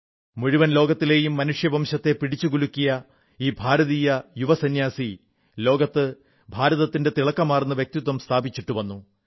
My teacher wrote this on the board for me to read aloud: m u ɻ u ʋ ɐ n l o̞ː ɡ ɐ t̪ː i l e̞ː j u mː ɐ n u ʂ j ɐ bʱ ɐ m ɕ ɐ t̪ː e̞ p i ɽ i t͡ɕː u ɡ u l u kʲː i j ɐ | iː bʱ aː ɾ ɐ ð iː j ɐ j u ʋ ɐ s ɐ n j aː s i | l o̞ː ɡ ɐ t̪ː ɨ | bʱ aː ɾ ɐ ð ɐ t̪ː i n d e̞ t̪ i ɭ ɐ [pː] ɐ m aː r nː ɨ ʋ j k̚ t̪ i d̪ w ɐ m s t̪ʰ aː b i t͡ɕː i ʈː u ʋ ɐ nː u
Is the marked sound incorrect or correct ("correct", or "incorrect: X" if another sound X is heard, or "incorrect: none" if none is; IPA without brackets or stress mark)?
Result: incorrect: kː